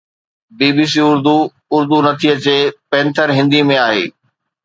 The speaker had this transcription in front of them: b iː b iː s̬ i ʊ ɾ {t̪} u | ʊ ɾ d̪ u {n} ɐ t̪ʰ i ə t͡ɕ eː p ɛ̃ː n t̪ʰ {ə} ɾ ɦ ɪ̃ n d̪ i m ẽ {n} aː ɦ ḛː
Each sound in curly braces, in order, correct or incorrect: incorrect: d̪, correct, correct, incorrect: none

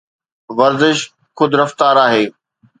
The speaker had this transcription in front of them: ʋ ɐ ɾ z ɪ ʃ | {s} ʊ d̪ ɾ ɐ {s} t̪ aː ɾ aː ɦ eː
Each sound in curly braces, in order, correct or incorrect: incorrect: x, incorrect: f

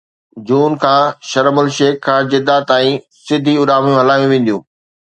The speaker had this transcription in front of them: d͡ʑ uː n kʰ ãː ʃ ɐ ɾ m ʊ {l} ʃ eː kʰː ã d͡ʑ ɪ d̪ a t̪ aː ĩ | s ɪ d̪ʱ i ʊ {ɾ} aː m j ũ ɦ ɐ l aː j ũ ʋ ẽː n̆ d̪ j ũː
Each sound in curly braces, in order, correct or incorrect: correct, correct

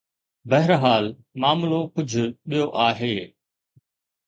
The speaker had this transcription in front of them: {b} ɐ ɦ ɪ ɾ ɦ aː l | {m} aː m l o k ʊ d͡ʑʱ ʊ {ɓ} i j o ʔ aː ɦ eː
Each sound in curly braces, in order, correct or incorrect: correct, correct, correct

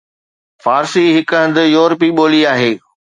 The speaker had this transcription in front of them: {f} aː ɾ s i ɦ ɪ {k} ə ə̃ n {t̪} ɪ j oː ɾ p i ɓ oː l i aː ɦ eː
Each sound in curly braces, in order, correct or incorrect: correct, correct, incorrect: d̪

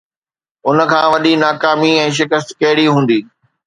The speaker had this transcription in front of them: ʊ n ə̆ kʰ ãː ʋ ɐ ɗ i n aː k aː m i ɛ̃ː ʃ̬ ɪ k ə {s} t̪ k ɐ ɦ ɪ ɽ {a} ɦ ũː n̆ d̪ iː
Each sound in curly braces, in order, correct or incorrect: correct, incorrect: i

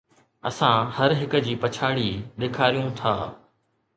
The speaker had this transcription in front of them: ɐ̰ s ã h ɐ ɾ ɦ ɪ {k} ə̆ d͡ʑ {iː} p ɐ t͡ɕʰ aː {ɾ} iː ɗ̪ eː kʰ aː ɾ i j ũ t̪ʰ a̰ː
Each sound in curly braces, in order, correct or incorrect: correct, correct, incorrect: ɽ

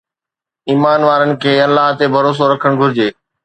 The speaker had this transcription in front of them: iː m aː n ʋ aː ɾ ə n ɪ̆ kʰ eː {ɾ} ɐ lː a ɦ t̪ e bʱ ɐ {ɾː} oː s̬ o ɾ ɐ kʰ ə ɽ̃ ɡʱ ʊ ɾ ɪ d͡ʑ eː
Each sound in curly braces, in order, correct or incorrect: incorrect: none, incorrect: ɾ

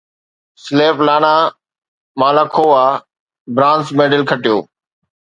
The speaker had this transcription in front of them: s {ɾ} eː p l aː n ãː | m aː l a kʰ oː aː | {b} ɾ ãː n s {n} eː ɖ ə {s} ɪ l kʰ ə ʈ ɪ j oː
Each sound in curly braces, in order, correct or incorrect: incorrect: l, correct, incorrect: m, incorrect: none

